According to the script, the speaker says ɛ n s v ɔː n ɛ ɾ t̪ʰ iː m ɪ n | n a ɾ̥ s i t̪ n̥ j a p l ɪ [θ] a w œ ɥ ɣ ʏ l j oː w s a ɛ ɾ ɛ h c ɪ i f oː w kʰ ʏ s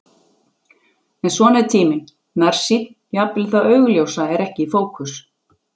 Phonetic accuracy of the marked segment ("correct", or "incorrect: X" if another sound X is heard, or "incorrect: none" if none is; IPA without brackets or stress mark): correct